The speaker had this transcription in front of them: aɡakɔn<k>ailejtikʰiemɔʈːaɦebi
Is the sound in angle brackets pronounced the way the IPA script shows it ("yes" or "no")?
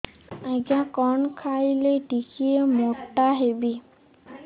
no